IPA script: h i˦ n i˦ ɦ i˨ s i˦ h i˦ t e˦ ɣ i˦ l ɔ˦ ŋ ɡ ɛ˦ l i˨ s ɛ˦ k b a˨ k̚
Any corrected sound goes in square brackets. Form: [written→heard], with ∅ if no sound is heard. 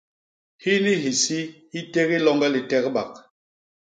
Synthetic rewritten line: h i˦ n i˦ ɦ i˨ s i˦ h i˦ t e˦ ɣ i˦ l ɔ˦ ŋ ɡ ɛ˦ l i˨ [s→t] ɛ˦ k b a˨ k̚